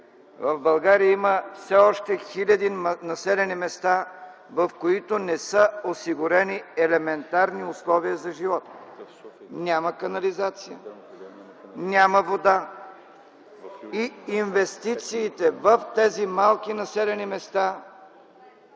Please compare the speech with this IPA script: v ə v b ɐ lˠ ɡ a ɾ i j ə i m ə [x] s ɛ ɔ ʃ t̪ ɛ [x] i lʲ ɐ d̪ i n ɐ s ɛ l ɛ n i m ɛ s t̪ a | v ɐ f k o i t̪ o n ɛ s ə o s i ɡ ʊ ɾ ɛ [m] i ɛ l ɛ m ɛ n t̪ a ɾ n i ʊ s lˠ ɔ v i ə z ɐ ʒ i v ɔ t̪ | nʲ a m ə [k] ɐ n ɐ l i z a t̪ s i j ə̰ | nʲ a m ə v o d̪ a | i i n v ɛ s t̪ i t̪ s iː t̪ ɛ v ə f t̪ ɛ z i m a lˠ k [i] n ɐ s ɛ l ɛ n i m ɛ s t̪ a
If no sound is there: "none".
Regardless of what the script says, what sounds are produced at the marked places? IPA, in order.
f, x, n, k, i

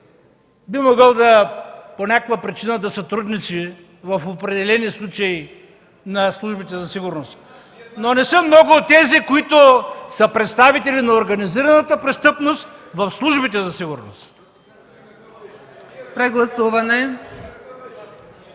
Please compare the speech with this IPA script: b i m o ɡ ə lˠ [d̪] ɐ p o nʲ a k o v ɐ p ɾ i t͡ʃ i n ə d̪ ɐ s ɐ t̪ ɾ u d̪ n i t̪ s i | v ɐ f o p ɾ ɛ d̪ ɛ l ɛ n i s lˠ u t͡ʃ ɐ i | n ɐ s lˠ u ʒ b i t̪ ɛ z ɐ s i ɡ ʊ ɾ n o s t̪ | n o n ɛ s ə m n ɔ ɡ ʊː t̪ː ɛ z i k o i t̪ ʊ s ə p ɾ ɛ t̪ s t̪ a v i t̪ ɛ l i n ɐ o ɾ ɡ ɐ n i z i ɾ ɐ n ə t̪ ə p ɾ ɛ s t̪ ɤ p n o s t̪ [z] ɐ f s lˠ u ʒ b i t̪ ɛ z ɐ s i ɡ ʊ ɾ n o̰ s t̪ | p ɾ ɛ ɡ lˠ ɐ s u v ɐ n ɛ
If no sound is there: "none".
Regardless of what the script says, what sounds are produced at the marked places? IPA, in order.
d̪, v

